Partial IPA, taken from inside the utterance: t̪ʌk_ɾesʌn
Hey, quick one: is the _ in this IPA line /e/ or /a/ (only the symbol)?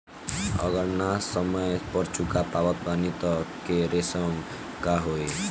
e